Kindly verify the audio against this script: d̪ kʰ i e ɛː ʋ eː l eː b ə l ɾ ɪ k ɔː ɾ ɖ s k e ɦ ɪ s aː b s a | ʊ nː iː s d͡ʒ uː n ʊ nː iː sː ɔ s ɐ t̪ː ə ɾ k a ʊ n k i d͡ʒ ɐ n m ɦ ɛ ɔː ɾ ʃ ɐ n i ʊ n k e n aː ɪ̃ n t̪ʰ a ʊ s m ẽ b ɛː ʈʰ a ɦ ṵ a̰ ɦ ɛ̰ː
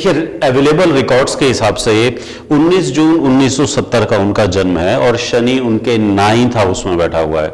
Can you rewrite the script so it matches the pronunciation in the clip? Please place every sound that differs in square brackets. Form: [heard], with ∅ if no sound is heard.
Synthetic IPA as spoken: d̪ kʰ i e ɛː ʋ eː l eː b ə l ɾ ɪ k ɔː ɾ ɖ s k e ɦ ɪ s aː b s [e] | ʊ nː iː s d͡ʒ uː n ʊ nː iː sː ɔ s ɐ t̪ː ə ɾ k a ʊ n k [a] d͡ʒ ɐ n m ɦ ɛ ɔː ɾ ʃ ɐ n i ʊ n k e n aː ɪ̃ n t̪ʰ a ʊ s m ẽ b ɛː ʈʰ a ɦ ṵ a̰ ɦ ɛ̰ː